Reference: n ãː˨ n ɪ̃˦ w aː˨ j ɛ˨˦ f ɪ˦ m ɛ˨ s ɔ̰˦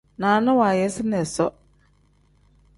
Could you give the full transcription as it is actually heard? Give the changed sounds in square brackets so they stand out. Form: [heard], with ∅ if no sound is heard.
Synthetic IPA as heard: n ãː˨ n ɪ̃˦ w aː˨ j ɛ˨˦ [s] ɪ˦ [n] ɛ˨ s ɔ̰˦